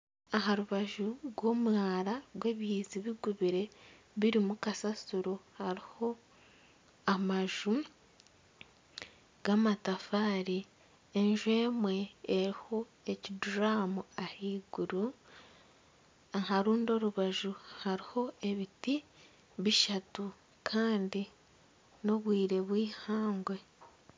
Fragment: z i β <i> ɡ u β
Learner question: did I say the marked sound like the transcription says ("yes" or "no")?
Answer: yes